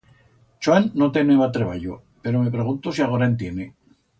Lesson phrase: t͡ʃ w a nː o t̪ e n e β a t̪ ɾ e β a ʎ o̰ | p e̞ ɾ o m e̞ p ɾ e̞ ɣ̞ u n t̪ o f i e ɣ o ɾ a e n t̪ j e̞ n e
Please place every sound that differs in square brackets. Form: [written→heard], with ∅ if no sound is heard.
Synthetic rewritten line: t͡ʃ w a nː o t̪ e n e β a t̪ ɾ e β a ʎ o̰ | p e̞ ɾ o m e̞ p ɾ e̞ ɣ̞ u n t̪ o [f→s] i [e→a] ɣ o ɾ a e n t̪ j e̞ n e